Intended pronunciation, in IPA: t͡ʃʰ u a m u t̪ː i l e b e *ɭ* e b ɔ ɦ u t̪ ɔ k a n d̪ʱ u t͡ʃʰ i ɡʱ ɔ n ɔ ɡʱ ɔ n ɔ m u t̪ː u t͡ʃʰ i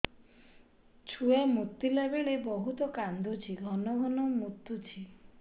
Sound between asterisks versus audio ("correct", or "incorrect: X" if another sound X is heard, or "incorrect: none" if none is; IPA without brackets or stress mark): correct